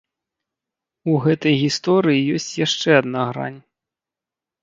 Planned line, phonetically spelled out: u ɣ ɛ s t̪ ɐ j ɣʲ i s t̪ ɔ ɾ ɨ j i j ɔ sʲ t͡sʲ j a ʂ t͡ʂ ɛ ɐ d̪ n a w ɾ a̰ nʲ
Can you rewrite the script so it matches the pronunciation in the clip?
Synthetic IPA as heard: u ɣ ɛ t̪ ɐ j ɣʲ i s t̪ ɔ ɾ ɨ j i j ɔ sʲ t͡sʲ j a ʂ t͡ʂ ɛ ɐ d̪ n a ɣ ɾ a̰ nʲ